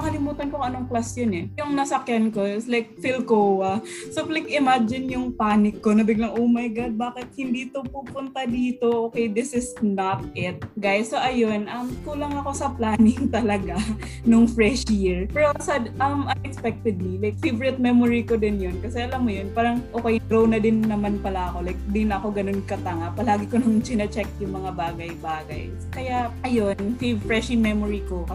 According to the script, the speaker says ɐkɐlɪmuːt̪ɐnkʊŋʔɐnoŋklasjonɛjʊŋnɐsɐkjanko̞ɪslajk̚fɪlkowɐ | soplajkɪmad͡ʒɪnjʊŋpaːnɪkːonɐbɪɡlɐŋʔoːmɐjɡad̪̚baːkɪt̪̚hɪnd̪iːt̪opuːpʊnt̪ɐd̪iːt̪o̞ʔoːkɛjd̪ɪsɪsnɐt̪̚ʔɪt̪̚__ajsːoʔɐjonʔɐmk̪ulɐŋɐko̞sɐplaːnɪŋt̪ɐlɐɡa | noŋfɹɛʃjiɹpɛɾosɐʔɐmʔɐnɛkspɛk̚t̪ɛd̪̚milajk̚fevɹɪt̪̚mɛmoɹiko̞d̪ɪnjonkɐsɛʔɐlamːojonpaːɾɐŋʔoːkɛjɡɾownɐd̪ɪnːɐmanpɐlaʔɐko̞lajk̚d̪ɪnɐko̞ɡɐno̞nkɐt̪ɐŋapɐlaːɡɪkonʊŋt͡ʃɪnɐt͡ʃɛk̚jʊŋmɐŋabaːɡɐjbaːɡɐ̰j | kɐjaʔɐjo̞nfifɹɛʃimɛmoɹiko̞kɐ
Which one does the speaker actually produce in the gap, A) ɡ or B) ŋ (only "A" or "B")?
A